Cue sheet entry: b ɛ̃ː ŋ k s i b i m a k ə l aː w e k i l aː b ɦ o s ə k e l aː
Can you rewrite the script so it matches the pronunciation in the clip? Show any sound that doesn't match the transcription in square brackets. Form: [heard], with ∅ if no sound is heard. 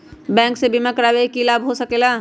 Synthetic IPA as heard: b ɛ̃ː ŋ k s [e] b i m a k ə [ɾ] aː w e k i l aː b ɦ o s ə k e l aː